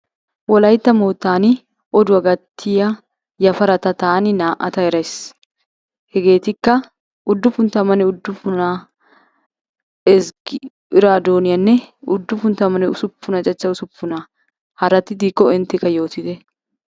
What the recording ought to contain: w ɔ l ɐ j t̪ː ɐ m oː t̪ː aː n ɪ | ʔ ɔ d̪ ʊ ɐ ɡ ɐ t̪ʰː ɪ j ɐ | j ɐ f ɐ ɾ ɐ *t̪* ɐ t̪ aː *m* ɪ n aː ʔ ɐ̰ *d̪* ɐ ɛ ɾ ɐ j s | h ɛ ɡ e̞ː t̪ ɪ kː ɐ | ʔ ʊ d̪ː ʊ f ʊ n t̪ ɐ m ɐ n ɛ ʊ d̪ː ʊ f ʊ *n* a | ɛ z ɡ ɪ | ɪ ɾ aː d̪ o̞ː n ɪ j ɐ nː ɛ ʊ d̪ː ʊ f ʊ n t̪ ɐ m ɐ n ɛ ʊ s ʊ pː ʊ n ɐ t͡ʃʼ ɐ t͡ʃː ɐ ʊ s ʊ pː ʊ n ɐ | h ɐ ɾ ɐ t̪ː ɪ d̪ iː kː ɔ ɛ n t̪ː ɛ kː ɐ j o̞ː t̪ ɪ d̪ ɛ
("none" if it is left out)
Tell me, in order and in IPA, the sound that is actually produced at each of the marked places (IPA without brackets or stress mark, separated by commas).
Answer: t̪, n, t̪, n